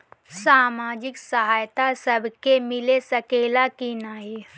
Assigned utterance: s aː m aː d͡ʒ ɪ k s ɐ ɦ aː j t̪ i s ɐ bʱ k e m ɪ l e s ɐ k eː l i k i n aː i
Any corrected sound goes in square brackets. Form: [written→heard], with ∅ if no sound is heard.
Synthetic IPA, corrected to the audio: s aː m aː d͡ʒ ɪ k s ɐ ɦ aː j t̪ [i→a] s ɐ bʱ k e m ɪ l e s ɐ k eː l [i→a] k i n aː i